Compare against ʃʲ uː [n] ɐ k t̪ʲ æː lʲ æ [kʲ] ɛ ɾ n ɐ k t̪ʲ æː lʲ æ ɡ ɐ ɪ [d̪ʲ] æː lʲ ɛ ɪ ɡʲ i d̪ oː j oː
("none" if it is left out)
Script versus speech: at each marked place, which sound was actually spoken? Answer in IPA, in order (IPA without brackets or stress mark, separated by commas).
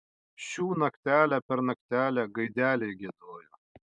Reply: n, pʲ, d̪ʲ